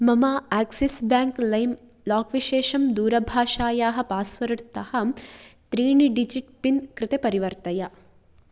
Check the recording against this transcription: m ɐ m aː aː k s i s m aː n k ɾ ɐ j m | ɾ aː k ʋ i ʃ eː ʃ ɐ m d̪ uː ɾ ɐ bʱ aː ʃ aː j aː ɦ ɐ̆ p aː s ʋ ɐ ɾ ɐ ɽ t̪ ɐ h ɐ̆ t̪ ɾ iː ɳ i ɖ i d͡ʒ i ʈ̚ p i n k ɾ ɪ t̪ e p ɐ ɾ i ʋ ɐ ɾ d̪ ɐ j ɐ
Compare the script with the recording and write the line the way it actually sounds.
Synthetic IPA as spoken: m ɐ m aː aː k s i s b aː ŋ k l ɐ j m | l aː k ʋ i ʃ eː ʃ ɐ m d̪ uː ɾ ɐ bʱ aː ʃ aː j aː ɦ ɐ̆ p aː s ʋ ɐ ɾ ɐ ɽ t̪ ɐ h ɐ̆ t̪ ɾ iː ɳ i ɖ i d͡ʒ i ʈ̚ p i n k ɾ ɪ t̪ e p ɐ ɾ i ʋ ɐ ɾ t̪ ɐ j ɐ